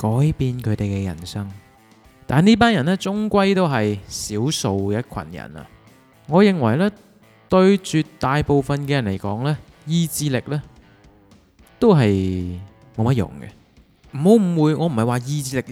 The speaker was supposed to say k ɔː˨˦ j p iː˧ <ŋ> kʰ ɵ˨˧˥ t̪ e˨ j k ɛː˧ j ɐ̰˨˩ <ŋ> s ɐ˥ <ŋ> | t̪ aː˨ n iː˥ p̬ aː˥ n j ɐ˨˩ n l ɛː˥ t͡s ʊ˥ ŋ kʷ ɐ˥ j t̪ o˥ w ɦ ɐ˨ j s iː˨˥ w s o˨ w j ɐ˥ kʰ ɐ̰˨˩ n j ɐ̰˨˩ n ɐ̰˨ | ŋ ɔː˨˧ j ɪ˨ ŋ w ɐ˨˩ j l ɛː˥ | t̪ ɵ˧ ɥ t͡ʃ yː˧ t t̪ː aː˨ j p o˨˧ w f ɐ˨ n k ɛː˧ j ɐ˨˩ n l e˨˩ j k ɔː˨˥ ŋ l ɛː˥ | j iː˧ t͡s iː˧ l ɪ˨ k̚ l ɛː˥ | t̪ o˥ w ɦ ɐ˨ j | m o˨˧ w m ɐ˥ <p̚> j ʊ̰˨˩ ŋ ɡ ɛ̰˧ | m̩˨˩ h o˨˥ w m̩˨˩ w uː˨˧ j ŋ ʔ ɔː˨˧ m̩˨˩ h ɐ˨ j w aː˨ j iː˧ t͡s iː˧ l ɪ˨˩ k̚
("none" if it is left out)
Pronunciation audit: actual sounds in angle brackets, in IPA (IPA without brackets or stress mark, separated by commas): n, n, ŋ, t̚